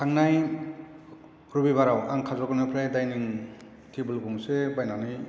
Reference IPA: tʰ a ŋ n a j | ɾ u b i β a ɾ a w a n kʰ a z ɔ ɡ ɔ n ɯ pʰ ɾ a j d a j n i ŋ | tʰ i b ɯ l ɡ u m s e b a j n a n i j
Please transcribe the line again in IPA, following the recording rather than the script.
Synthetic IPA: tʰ a ŋ n a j | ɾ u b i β a ɾ a w a ŋ kʰ a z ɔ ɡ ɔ n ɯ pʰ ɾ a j d a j n i ŋ | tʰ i b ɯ l ɡ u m s e b a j n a n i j

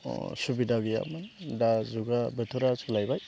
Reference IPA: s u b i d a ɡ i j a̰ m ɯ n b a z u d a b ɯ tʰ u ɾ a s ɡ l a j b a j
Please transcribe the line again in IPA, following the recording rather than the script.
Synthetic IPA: s u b i d a ɡ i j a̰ m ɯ n d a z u ɡ a b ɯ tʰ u ɾ a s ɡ l a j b a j

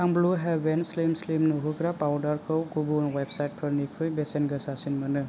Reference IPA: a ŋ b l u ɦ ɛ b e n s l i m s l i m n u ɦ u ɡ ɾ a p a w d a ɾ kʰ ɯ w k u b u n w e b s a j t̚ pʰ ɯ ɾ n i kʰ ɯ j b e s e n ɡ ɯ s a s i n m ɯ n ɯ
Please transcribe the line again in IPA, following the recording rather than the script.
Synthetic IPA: a ŋ b l u ɦ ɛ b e n s l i m s l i m n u ɦ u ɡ ɾ a p a w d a ɾ kʰ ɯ w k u b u n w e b s a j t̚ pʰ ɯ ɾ n i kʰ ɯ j b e s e n ɡ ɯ s a s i n m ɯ n ɯ

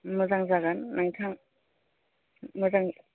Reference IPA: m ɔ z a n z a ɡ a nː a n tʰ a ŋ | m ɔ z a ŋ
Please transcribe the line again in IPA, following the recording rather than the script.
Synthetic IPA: m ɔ z a ŋ z a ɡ a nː a ŋ tʰ a ŋ | m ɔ z a ŋ

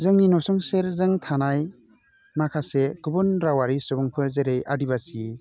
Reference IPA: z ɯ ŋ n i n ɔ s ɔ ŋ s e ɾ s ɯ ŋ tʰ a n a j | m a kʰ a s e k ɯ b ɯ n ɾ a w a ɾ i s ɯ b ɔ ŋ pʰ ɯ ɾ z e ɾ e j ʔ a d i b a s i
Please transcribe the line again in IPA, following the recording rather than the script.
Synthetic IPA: z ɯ ŋ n i n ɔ s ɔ ŋ s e ɾ z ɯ ŋ tʰ a n a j | m a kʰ a s e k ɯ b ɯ n ɾ a w a ɾ i s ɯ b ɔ ŋ pʰ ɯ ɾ z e ɾ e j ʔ a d i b a s i

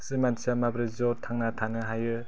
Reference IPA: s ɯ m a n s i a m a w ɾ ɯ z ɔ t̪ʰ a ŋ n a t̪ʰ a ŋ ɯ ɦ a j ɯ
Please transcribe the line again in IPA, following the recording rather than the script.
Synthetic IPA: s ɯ m a n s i a m a b ɾ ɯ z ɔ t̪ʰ a ŋ n a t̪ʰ a n ɯ ɦ a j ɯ

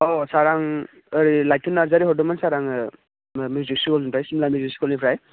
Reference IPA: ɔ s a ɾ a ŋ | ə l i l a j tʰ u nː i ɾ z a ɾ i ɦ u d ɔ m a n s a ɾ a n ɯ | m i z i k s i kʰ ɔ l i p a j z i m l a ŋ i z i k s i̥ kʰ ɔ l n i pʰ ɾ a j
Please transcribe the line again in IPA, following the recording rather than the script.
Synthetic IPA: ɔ s a ɾ a ŋ | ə ɾ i l a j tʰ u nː a ɾ z a ɾ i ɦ ɔ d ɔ m a n s a ɾ a ŋ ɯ | m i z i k s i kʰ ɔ l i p a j s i m l a m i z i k s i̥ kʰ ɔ l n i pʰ ɾ a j

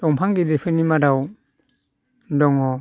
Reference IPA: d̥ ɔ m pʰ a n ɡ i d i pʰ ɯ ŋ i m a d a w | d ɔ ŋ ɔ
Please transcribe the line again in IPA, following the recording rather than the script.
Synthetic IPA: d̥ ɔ ŋ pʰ a ŋ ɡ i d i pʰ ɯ n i m a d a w | d ɔ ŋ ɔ

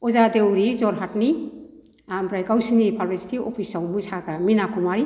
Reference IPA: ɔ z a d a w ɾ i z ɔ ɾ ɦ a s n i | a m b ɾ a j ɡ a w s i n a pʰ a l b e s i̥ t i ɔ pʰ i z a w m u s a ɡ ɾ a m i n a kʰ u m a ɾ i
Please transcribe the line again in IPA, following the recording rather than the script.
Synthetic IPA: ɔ z a d e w ɾ i z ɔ ɾ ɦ a t n i | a m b ɾ a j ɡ a w s i n i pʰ a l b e s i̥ t i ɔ pʰ i s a w m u s a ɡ ɾ a m i n a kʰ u m a ɾ i

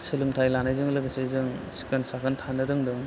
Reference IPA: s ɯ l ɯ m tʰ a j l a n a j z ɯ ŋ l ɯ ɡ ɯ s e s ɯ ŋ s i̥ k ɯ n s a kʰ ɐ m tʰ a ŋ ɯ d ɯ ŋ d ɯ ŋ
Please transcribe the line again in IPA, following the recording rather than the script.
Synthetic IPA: s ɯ l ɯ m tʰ a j l a n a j z ɯ ŋ l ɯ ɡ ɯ s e z ɯ ŋ s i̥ k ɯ n s a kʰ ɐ n tʰ a n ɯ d ɯ ŋ d ɯ ŋ

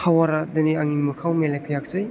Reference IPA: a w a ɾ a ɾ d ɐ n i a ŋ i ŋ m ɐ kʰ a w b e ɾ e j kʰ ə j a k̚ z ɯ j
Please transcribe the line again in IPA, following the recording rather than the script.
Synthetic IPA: a w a ɾ a d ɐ n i a ŋ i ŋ m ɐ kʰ a w m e l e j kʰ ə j a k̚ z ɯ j

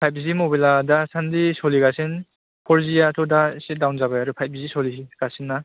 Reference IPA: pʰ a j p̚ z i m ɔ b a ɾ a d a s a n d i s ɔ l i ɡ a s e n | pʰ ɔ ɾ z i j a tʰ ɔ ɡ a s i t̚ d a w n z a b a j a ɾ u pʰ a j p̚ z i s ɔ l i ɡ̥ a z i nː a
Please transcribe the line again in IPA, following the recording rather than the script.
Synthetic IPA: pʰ a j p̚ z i m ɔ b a l a d a s a n d i s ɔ l i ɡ a s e n | pʰ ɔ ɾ z i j a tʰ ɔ d a s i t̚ d a w n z a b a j a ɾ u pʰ a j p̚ z i s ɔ l i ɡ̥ a s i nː a

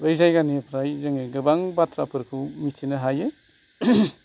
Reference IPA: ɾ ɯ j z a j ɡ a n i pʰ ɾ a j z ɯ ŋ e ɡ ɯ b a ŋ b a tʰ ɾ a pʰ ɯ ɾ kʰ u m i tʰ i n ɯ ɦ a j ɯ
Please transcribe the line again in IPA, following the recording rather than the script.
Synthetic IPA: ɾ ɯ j z a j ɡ a n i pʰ ɾ a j z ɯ ŋ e ɡ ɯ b a ŋ b a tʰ ɾ a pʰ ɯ ɾ kʰ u m i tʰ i n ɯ ɦ a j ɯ

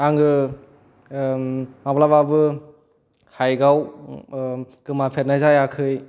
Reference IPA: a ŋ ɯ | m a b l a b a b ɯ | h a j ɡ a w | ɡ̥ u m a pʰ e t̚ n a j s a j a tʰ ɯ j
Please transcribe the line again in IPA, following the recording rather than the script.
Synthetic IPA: a ŋ ɯ | m a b l a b a b ɯ | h a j ɡ a w | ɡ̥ ɯ m a pʰ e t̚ n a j z a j a kʰ ɯ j

